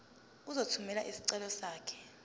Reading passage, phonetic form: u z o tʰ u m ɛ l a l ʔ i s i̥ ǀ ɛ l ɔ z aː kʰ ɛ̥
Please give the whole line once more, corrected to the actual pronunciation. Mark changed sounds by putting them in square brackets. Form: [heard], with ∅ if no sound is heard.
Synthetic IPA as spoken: u z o tʰ u m ɛ l a [∅] ʔ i s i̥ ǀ ɛ l ɔ [s] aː kʰ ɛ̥